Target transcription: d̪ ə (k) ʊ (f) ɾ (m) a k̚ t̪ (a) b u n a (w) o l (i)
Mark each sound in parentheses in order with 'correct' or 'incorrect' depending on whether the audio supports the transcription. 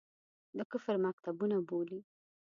correct, correct, correct, correct, incorrect: b, correct

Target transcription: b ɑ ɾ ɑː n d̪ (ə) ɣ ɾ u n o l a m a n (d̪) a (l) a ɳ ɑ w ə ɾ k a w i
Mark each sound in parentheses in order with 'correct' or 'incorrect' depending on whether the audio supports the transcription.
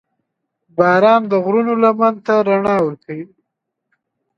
correct, incorrect: t̪, incorrect: ɾ

